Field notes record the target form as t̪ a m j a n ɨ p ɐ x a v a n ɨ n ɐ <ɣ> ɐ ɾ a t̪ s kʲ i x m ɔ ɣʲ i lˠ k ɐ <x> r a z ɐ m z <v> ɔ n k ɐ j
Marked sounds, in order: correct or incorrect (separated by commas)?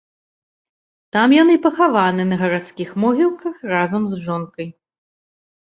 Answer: correct, correct, incorrect